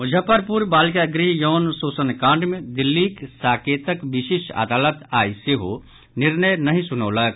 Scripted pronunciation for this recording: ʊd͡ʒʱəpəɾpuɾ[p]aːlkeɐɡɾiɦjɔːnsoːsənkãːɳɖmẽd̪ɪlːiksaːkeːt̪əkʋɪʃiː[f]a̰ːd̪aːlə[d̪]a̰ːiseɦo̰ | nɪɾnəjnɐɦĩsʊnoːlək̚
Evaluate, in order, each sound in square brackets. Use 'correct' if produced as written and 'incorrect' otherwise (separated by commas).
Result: incorrect, incorrect, incorrect